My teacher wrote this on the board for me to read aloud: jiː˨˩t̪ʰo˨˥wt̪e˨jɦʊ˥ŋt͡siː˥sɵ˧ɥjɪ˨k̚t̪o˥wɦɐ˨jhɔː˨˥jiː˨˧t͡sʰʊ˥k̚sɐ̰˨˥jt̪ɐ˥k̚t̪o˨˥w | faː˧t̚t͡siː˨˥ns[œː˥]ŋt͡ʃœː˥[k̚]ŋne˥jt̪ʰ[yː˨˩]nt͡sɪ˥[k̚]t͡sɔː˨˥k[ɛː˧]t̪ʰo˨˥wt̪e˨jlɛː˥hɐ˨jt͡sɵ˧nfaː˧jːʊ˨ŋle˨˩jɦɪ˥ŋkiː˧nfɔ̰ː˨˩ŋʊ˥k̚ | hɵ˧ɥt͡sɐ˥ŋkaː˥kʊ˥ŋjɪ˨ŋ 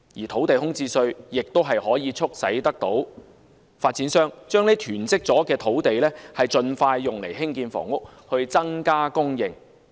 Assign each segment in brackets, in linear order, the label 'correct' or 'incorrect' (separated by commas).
correct, incorrect, correct, correct, correct